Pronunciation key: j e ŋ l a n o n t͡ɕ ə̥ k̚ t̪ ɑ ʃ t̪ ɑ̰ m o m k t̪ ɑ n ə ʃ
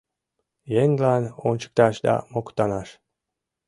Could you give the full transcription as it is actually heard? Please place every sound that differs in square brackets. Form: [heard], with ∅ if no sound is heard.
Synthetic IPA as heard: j e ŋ l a n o n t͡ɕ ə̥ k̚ t̪ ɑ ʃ [d̪] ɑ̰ m o [∅] k t̪ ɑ n [ɑ] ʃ